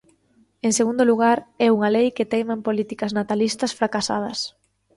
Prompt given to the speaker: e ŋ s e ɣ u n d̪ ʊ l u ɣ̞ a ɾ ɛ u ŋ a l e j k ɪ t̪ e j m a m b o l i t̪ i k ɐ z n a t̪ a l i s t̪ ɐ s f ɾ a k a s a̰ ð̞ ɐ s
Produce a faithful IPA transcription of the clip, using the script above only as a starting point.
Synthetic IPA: e ŋ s e ɣ u n d̪ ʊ l u ɣ̞ a ɾ ɛ u ŋ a l e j k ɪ t̪ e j m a m p o l i t̪ i k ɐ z n a t̪ a l i s t̪ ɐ s f ɾ a k a s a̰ ð̞ ɐ s